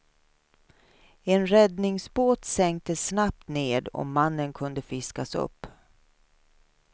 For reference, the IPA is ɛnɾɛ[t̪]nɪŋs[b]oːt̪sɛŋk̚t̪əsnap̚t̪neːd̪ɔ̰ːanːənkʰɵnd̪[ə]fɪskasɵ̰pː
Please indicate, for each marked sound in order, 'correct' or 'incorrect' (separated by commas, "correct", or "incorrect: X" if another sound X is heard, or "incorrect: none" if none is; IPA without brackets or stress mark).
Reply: incorrect: d̪, correct, correct